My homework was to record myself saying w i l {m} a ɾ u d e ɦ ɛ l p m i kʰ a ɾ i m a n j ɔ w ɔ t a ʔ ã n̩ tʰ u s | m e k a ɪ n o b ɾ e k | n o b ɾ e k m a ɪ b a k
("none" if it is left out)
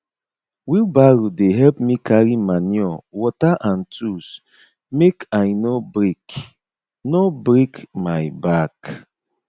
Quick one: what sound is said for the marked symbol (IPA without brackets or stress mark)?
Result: b